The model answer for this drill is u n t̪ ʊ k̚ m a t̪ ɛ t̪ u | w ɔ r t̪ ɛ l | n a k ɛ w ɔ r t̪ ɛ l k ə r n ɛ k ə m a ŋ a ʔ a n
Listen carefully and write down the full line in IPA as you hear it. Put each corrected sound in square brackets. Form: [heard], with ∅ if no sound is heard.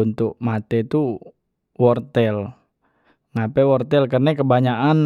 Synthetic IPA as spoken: u n t̪ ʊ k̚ m a t̪ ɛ t̪ u | w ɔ r t̪ ɛ l | [ŋ] a [p] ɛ w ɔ r t̪ ɛ l k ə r n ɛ k ə [b] a [ɲ] a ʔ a n